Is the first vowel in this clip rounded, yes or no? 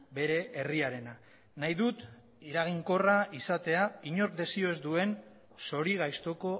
no